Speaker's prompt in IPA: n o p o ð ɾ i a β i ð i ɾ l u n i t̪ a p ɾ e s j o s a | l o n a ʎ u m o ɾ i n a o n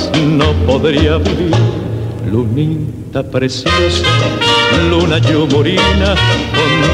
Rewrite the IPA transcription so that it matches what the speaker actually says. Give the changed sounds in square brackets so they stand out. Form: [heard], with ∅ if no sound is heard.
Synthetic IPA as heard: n o p o ð ɾ i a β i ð i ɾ l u n i t̪ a p ɾ e s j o s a | l [u] n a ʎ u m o ɾ i n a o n